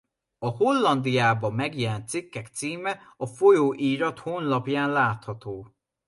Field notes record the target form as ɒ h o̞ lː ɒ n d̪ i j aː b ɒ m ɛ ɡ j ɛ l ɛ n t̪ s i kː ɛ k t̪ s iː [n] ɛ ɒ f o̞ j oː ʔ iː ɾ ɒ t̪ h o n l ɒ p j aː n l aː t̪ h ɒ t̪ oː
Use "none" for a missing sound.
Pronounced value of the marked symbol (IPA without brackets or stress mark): m